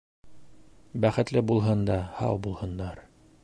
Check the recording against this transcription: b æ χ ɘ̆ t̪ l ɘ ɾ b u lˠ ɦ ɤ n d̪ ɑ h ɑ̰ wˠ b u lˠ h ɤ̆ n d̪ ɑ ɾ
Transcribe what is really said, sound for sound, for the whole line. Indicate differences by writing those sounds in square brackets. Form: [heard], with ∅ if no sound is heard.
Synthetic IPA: b æ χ ɘ̆ t̪ l ɘ [∅] b u lˠ ɦ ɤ n d̪ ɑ h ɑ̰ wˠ b u lˠ h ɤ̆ n d̪ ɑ ɾ